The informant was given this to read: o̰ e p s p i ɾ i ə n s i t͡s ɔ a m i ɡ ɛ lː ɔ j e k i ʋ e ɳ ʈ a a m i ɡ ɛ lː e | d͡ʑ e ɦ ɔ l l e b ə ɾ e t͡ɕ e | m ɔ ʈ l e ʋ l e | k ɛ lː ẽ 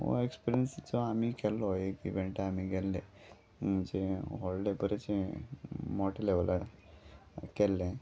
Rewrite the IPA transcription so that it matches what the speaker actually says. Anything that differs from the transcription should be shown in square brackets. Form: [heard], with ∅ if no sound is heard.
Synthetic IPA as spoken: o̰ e [k] s p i ɾ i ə n s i t͡s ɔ a m i [k] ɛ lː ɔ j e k i ʋ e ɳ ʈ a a m i ɡ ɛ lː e | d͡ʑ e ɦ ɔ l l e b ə ɾ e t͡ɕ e | m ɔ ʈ l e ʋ l [a] | k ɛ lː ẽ